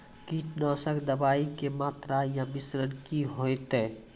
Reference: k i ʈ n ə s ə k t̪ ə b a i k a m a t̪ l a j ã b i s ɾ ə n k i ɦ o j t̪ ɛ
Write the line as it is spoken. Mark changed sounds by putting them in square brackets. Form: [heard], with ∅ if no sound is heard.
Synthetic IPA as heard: k i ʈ n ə s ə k [d̪] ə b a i k [e] m a t̪ [ɾ] a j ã b i s ɾ ə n k i ɦ o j t̪ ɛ